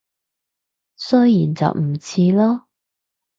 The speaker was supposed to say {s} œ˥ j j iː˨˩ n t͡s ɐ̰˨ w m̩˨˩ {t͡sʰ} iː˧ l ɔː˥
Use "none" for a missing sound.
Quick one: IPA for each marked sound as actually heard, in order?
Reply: s, t͡sʰ

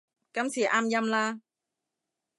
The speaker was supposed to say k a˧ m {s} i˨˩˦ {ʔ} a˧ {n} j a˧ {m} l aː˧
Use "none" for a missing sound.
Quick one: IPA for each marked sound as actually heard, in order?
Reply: s, ʔ, m, m

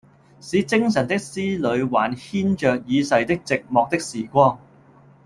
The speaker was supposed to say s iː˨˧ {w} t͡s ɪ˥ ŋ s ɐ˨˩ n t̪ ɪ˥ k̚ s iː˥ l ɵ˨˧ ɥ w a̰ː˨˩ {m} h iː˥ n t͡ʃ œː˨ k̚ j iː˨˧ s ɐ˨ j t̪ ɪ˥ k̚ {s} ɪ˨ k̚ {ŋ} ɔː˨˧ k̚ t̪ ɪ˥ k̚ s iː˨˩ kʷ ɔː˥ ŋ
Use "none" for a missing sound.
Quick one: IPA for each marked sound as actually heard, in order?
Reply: none, n, t͡s, m

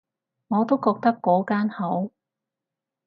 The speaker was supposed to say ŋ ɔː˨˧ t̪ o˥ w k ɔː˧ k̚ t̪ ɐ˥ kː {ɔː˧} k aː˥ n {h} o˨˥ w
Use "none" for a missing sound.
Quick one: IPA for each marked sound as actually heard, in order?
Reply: ɔː˨˥, h

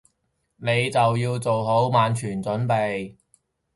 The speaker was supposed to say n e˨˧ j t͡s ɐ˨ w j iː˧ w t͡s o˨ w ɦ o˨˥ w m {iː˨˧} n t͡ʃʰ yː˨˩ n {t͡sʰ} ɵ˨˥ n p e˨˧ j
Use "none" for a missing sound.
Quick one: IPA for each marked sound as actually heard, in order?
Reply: aː˨˧, t͡s

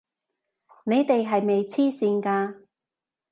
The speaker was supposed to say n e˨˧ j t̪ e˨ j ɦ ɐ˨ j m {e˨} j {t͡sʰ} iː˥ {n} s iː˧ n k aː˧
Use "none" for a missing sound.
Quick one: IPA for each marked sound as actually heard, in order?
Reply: e˨, t͡sʰ, none

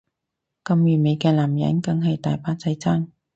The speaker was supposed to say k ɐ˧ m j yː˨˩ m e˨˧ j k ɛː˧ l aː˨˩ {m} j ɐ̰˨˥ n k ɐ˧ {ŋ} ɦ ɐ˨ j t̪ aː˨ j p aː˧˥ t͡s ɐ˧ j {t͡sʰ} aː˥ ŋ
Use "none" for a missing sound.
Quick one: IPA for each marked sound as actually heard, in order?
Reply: m, ŋ, t͡s

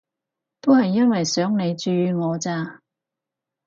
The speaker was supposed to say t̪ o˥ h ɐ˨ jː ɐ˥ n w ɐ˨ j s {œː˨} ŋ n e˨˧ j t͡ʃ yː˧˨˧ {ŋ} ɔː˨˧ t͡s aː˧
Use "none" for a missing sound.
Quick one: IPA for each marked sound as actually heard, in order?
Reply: œː˨˥, ŋ

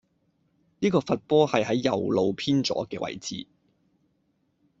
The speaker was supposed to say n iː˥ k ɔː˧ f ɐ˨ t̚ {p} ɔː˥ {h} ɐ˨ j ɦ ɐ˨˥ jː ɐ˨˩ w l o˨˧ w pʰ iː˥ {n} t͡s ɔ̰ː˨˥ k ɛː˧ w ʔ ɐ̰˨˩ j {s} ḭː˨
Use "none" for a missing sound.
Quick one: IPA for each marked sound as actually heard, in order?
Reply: p, h, n, t͡s

